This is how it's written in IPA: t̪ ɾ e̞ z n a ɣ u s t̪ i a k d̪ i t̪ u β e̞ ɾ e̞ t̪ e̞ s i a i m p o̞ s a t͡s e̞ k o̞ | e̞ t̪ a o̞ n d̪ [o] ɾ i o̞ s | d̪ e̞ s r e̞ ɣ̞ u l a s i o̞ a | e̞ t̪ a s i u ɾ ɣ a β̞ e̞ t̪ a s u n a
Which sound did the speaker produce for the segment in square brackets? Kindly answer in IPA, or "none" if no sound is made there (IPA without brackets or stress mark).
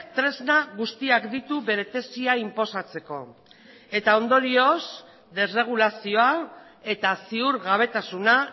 o